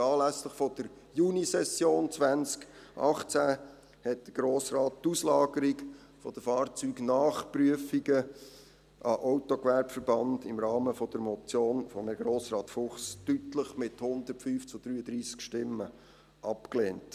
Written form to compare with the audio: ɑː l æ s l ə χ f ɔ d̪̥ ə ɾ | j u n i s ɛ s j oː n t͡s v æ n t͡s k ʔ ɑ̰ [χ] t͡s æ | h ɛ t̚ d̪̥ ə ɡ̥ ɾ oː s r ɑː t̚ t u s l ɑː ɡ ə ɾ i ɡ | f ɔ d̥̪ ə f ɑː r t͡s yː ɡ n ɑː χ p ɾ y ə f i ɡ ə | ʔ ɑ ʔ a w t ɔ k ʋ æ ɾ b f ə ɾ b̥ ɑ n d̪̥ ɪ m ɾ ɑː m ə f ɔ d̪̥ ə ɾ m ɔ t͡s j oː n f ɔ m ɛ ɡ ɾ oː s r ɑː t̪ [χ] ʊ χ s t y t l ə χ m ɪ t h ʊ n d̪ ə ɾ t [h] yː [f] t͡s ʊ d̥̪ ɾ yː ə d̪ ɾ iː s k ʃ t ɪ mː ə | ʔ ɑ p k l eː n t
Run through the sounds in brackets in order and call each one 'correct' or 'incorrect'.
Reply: correct, incorrect: f, incorrect: f, correct

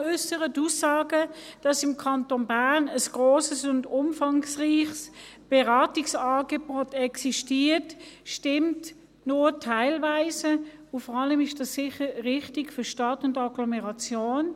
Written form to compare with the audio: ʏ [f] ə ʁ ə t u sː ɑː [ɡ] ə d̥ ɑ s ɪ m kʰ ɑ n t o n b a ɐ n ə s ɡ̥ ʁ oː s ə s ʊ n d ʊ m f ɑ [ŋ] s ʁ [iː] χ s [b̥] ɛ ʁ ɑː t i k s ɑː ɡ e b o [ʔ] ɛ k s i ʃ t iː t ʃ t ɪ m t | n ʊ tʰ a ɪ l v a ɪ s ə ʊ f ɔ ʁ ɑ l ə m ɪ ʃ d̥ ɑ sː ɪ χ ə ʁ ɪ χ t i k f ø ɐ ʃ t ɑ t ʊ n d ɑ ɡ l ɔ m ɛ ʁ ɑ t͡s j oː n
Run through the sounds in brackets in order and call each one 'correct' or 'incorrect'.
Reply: incorrect: s, correct, correct, correct, correct, incorrect: t

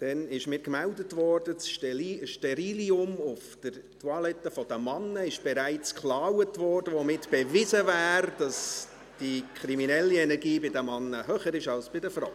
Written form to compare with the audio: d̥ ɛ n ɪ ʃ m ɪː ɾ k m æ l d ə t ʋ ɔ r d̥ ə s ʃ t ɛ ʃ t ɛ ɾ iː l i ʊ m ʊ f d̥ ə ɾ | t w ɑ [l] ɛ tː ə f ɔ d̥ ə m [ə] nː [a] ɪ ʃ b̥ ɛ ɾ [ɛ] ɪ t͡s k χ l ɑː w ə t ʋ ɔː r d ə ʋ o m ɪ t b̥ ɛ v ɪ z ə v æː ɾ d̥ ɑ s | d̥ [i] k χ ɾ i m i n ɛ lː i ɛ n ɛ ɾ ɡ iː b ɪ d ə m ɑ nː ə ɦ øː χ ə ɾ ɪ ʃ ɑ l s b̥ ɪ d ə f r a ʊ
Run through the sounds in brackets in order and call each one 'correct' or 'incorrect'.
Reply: correct, incorrect: ɑ, incorrect: ə, incorrect: æ, correct

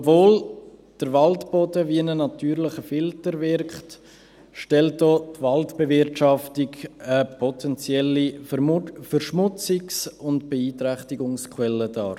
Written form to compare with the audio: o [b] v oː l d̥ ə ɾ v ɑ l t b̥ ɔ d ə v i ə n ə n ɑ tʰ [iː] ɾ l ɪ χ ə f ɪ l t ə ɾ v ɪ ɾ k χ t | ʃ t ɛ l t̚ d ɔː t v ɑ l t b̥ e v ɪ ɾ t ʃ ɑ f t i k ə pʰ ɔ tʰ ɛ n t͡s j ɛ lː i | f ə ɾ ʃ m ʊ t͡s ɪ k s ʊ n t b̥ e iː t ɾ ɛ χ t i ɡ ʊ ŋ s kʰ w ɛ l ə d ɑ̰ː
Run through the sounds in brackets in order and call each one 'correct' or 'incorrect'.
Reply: correct, incorrect: yː

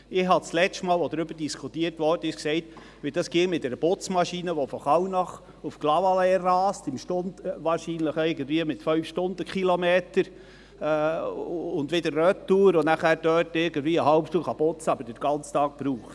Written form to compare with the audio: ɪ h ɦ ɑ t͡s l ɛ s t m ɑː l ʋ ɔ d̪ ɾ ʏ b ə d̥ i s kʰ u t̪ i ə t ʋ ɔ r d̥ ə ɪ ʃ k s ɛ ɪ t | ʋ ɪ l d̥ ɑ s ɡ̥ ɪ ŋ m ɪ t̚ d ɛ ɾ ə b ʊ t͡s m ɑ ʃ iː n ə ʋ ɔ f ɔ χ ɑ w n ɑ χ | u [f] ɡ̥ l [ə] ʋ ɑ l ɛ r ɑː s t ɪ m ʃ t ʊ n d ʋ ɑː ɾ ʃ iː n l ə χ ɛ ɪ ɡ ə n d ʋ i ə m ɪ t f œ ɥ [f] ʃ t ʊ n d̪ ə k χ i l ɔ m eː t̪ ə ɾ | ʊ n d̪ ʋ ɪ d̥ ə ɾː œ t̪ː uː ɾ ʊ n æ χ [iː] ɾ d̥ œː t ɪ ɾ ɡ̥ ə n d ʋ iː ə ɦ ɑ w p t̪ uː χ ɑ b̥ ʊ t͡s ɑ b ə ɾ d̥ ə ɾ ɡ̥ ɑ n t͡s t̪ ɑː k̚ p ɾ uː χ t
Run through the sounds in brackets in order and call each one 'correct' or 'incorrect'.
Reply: correct, incorrect: ɑ, correct, incorrect: æː

